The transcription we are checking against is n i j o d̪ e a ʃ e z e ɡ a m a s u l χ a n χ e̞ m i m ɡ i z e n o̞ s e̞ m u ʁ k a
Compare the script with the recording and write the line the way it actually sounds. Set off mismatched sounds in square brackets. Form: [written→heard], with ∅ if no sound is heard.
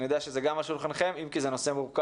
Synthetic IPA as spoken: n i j o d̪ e a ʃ e z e ɡ a m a [s→ʃ] u l χ a n χ e̞ m i m [ɡ→k] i z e n o̞ s e̞ m u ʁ k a